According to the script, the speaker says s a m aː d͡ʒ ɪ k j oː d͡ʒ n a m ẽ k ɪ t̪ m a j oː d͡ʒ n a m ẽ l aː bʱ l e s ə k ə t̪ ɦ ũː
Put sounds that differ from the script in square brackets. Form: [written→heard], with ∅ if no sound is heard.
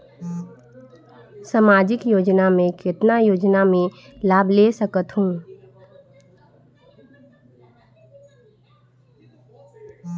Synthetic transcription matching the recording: s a m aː d͡ʒ ɪ k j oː d͡ʒ n a m ẽ k ɪ t̪ [m→n] a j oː d͡ʒ n a m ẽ l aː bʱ l e s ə k ə t̪ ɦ ũː

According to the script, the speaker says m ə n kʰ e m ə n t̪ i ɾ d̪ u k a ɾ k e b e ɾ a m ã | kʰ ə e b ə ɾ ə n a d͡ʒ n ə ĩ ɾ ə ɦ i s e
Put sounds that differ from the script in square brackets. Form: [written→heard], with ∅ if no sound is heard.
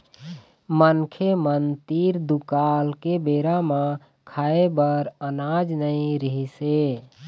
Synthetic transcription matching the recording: m ə n kʰ e m ə n t̪ i ɾ d̪ u k a [ɾ→l] k e b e ɾ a m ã | kʰ [ə→a] e b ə ɾ ə n a d͡ʒ n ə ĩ ɾ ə ɦ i s e

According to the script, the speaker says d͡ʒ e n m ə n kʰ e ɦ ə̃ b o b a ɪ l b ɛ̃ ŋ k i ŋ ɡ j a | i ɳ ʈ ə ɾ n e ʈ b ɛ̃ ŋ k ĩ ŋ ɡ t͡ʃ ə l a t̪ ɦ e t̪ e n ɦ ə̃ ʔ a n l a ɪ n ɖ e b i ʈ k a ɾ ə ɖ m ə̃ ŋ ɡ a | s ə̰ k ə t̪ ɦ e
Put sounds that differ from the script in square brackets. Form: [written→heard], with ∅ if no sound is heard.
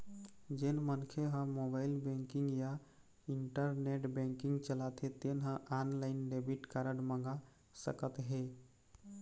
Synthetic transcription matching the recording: d͡ʒ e n m ə n kʰ e ɦ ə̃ [b→m] o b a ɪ l b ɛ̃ ŋ k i ŋ ɡ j a | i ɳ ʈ ə ɾ n e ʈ b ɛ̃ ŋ k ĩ ŋ ɡ t͡ʃ ə l a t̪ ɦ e t̪ e n ɦ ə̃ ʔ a n l a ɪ n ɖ e b i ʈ k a ɾ ə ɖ m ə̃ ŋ ɡ a | s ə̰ k ə t̪ ɦ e

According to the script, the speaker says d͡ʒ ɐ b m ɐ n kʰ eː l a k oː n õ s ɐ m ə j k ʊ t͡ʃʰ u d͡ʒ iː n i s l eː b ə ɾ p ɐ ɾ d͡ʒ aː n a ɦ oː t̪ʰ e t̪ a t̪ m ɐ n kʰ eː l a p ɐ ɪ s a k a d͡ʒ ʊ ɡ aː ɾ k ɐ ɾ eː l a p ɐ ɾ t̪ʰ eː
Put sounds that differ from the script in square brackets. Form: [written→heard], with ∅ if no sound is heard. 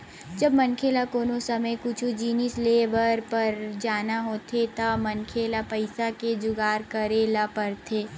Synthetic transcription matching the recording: d͡ʒ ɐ b m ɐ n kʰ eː l a k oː n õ s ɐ m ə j k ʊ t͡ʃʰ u d͡ʒ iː n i s l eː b ə ɾ p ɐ ɾ d͡ʒ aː n a ɦ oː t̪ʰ e t̪ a [t̪→∅] m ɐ n kʰ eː l a p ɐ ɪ s a k [a→e] d͡ʒ ʊ ɡ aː ɾ k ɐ ɾ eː l a p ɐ ɾ t̪ʰ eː

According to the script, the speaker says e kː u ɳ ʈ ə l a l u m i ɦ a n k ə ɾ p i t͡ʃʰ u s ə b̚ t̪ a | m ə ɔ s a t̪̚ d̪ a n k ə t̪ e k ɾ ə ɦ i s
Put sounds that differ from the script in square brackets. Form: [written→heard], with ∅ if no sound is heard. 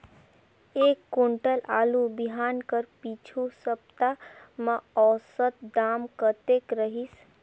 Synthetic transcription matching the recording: e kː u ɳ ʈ ə l a l u [m→b] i ɦ a n k ə ɾ p i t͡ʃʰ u s ə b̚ t̪ a | m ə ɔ s [a→ə] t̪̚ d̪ a [n→m] k ə t̪ e k ɾ ə ɦ i s

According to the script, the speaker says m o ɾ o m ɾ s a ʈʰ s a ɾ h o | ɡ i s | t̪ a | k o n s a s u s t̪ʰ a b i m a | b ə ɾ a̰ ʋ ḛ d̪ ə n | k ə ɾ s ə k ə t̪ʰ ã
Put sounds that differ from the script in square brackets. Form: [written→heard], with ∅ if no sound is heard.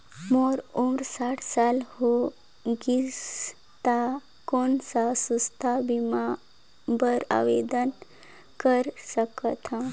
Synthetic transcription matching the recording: m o ɾ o m ɾ s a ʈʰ s a [ɾ→l] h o | ɡ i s | t̪ a | k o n s a s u s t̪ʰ a b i m a | b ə ɾ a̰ ʋ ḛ d̪ ə n | k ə ɾ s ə k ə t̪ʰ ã

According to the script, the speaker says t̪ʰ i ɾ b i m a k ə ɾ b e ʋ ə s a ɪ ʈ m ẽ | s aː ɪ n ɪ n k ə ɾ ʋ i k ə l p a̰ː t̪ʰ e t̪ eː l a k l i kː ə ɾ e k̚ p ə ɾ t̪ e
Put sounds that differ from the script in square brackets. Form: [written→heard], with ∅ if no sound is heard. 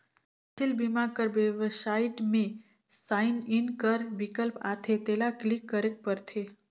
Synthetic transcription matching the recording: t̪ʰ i [ɾ→l] b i m a k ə ɾ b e ʋ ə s a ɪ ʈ m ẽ | s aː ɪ n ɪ n k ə ɾ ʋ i k ə l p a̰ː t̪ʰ e t̪ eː l a k l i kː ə ɾ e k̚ p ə ɾ [t̪→t̪ʰ] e

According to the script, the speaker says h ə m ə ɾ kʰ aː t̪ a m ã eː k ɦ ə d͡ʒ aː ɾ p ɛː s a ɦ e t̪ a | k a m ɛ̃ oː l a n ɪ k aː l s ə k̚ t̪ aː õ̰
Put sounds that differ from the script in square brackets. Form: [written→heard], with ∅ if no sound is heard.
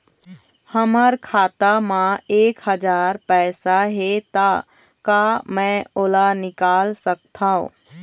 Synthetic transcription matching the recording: h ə m ə ɾ kʰ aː t̪ a m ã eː k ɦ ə d͡ʒ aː ɾ p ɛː s a ɦ e t̪ a | k a m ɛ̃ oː l a n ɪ k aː l s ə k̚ [t̪→t̪ʰ] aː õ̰

